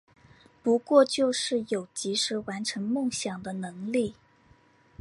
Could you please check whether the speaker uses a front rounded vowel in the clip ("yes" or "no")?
no